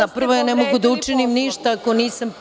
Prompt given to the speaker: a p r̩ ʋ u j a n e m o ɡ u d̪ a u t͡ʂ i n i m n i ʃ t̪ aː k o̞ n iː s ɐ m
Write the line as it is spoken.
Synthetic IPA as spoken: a p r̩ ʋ o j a n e m o ɡ u d̪ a u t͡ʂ i n i m n i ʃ t̪ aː k o̞ n iː s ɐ m